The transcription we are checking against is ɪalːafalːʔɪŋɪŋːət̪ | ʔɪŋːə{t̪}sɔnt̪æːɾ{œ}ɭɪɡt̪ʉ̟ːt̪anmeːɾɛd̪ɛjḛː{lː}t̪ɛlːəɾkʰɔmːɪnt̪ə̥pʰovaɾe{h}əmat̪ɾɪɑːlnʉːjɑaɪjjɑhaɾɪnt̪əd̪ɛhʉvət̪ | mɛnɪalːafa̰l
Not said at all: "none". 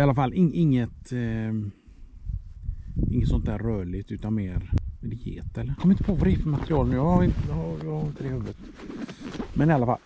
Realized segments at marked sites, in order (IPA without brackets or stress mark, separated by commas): t̪, œː, none, f